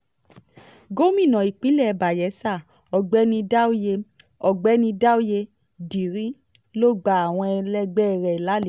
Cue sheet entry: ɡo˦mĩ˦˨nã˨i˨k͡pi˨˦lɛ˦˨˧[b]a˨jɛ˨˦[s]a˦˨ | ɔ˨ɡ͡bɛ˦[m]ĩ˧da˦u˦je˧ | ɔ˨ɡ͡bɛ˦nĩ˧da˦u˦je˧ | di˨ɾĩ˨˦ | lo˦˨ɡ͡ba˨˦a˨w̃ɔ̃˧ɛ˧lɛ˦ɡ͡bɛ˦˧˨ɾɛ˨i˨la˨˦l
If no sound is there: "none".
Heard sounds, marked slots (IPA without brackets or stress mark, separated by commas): b, s, n